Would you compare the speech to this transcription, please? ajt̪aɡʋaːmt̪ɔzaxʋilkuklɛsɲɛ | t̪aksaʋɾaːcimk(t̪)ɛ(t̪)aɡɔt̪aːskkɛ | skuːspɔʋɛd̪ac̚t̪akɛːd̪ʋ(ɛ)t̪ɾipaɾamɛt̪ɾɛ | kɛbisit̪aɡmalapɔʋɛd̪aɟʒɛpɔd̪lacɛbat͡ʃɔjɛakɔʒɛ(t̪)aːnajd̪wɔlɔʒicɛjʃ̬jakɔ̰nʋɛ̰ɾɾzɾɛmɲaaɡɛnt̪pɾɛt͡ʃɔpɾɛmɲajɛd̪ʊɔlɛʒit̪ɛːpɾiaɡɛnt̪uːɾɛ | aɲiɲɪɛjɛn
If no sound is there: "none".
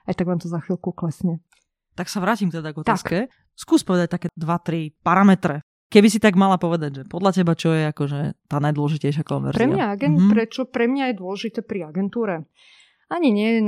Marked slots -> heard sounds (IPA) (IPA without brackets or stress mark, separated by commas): t̪, d̪, a, t̪